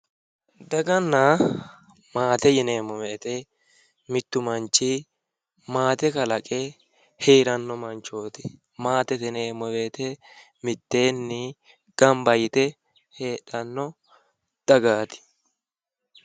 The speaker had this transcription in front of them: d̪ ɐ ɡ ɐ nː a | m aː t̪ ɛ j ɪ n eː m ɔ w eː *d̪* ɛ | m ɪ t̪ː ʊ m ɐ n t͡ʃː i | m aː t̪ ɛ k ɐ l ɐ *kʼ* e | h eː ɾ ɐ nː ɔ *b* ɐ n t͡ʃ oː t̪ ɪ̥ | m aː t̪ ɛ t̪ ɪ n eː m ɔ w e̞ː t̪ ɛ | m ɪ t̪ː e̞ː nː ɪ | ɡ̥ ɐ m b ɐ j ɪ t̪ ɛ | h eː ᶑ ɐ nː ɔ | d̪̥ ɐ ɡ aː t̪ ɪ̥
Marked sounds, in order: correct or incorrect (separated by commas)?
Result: incorrect, correct, incorrect